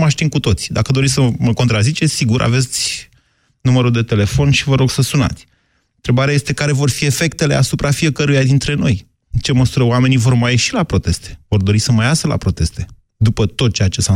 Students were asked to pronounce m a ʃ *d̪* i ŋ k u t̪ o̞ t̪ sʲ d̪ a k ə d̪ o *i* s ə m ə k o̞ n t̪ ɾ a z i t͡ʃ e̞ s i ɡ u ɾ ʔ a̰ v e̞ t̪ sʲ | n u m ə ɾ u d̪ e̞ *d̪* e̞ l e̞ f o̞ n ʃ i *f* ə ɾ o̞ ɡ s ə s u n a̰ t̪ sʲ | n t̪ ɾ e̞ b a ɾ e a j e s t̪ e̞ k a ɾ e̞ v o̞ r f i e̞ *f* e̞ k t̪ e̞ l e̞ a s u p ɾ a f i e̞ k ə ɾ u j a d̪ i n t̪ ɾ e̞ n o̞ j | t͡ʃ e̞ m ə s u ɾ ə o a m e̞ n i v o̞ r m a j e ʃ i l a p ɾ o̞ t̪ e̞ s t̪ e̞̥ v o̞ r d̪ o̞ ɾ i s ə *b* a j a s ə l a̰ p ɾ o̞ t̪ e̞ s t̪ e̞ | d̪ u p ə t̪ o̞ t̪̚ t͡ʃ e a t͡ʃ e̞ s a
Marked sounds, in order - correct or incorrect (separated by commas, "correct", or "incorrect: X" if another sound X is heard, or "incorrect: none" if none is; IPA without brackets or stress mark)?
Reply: incorrect: t̪, correct, incorrect: t̪, incorrect: v, correct, incorrect: m